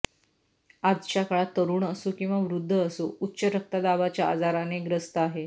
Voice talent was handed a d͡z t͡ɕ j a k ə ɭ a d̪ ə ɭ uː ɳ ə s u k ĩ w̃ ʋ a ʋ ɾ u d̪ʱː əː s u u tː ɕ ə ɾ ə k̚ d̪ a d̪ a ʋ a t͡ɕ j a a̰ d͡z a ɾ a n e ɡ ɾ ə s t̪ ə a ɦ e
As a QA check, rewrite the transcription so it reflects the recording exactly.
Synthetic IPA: a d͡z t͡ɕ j a k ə ɭ a t̪ ə ɾ uː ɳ ə s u k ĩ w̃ ʋ a ʋ ɾ u d̪ʱː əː s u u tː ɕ ə ɾ ə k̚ t̪ a d̪ a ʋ a t͡ɕ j a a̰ d͡z a ɾ a n e ɡ ɾ ə s t̪ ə a ɦ e